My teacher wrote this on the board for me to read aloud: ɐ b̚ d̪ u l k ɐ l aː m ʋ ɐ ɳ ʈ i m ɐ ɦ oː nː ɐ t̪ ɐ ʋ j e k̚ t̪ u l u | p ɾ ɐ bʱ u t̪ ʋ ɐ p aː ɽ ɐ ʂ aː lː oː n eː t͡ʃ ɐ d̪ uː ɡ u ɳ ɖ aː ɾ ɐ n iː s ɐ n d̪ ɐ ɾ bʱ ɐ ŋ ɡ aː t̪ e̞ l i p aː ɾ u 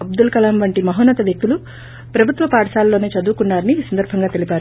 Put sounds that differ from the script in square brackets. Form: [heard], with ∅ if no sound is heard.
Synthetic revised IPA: ɐ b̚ d̪ u l k ɐ l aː m ʋ ɐ ɳ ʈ i m ɐ ɦ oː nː ɐ t̪ ɐ ʋ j e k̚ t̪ u l u | p ɾ ɐ bʱ u t̪ ʋ ɐ p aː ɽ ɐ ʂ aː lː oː n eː t͡ʃ ɐ d̪ uː [k] u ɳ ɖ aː ɾ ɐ n iː s ɐ n d̪ ɐ ɾ bʱ ɐ ŋ ɡ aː t̪ e̞ l i p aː ɾ u